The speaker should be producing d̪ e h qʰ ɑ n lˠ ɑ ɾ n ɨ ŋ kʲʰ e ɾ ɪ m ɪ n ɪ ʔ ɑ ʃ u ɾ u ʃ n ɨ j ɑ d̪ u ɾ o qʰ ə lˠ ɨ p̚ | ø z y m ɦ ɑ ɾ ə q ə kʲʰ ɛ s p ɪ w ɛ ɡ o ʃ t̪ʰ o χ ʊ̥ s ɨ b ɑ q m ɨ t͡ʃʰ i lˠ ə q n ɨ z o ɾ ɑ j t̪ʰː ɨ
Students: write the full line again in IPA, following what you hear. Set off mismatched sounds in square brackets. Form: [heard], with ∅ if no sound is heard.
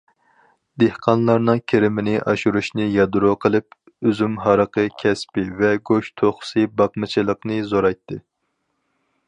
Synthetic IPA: d̪ e h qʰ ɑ n lˠ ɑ ɾ n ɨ ŋ kʲʰ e ɾ ɪ m ɪ n ɪ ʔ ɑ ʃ u ɾ u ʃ n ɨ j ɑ d̪ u ɾ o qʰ ə lˠ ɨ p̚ | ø z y m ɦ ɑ ɾ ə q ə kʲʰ ɛ s p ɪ [v] ɛ ɡ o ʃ t̪ʰ o χ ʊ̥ s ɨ b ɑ q m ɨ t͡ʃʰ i lˠ ə q n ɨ z o ɾ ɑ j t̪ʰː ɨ